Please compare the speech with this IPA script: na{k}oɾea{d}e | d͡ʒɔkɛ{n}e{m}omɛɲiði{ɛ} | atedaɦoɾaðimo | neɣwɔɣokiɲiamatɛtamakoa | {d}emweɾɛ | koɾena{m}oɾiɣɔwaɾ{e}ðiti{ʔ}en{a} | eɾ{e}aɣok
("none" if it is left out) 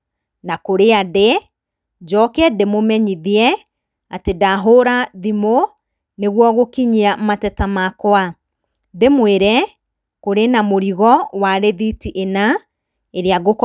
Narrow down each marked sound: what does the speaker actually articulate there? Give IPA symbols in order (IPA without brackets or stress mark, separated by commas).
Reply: k, d, d, m, ɛ, d, m, e, ʔ, a, e